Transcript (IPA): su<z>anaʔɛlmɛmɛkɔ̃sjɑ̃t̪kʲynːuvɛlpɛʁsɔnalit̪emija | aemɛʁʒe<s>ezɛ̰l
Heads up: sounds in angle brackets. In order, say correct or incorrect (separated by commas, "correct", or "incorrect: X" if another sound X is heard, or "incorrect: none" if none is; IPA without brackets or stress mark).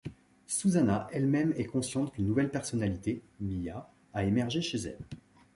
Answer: correct, incorrect: ʃ